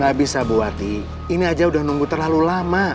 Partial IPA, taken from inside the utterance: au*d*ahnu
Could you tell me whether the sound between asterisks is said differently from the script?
no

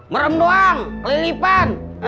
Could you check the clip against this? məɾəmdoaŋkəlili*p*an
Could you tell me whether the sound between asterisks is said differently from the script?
no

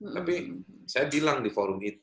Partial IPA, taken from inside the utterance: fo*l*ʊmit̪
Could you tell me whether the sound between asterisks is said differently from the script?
yes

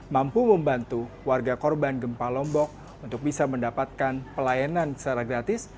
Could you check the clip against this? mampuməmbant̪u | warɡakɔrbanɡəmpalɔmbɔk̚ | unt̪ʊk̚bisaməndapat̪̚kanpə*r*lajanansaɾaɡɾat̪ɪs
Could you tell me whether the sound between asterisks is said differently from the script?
yes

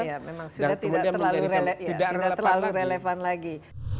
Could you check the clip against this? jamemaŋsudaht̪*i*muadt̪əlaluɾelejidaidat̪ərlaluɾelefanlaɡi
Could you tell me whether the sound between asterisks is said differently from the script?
no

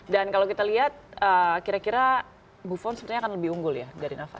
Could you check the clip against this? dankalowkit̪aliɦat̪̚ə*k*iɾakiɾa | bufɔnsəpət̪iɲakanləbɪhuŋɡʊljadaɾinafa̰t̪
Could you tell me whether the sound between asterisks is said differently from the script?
no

